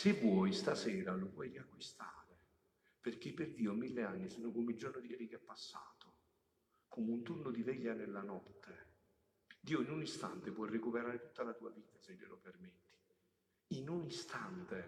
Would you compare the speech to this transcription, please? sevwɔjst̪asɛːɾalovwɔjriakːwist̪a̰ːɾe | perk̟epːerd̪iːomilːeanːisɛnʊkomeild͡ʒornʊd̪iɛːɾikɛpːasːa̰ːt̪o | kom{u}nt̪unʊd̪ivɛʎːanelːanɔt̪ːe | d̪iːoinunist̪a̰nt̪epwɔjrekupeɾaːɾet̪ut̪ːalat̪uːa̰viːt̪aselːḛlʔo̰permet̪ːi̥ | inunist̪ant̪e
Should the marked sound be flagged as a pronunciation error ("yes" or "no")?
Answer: no